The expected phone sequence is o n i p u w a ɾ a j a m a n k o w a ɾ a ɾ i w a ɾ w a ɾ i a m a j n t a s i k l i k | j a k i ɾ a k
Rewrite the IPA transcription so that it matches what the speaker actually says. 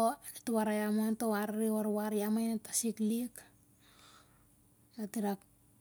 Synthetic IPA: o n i t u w a ɾ a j a m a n t o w a ɾ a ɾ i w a ɾ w a ɾ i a m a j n t a s i k l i k | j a t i ɾ a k